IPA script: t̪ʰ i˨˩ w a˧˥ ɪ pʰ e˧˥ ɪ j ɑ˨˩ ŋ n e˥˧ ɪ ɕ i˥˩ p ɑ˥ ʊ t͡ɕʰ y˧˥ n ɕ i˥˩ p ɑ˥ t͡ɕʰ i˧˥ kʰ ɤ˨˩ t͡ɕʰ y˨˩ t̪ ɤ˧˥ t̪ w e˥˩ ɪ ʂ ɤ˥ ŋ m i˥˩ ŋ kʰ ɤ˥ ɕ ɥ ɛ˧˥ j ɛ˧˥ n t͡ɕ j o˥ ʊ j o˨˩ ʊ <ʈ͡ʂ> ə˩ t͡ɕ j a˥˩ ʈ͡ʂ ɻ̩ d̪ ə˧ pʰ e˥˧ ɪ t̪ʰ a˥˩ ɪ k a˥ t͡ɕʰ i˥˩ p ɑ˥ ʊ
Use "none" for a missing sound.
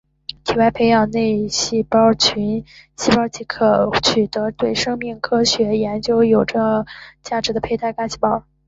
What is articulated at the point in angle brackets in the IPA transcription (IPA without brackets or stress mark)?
ʈ͡ʂ